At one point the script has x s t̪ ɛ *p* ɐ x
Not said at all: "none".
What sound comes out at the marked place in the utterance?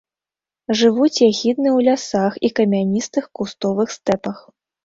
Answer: p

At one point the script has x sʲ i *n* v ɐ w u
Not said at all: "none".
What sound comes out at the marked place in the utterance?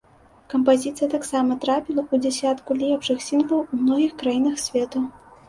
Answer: n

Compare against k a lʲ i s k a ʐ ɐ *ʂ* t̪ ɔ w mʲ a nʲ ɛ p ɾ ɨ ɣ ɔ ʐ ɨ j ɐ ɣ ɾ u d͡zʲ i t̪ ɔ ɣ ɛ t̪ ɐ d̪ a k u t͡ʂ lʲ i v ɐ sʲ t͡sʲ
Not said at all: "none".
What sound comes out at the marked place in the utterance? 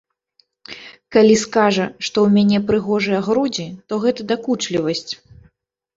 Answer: ʂ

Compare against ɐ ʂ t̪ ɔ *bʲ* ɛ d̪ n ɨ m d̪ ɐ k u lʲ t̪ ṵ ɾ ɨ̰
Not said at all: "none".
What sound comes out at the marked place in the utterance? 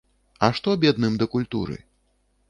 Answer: bʲ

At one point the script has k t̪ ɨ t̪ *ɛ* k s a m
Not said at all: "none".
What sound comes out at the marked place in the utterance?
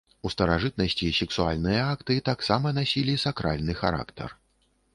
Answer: a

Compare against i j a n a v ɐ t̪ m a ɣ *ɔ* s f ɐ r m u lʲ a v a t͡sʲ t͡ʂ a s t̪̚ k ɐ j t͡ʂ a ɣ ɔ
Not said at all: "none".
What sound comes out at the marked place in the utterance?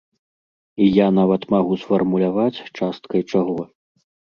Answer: u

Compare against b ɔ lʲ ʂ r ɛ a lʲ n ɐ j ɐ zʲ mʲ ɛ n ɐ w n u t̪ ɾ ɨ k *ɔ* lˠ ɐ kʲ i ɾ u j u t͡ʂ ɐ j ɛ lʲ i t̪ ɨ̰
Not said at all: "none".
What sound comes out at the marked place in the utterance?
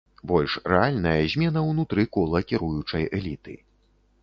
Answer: ɔ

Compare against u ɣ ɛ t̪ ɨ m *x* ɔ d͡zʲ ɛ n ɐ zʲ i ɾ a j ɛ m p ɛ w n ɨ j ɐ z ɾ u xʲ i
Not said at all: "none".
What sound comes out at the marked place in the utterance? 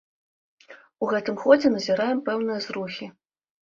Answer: x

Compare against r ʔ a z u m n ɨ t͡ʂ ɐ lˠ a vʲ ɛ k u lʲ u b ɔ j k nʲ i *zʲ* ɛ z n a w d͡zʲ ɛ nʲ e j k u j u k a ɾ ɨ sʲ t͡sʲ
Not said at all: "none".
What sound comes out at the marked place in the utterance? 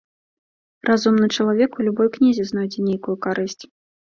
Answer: zʲ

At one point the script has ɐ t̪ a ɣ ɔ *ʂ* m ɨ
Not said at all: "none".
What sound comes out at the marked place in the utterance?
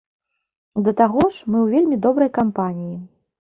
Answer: ʂ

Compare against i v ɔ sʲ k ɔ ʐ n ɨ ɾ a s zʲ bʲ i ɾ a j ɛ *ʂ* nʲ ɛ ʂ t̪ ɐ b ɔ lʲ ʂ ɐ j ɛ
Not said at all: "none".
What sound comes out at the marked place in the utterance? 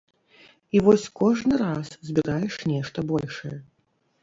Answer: ʂ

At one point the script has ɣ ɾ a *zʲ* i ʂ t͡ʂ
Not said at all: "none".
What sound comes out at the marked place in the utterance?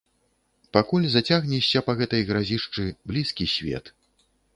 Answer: zʲ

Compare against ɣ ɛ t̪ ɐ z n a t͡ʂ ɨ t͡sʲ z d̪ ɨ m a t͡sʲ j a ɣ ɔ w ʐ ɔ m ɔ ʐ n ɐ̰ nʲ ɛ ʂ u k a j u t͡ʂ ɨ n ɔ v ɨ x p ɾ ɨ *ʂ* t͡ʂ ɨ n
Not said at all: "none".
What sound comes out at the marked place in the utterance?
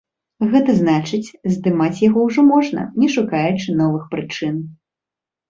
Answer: none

